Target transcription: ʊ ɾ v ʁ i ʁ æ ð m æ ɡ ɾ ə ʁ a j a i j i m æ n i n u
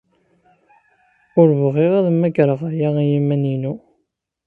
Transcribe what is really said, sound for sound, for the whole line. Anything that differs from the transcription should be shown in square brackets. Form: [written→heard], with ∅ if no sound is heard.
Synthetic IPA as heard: ʊ ɾ v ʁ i ʁ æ ð m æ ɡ ɾ ə ʁ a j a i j i m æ n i n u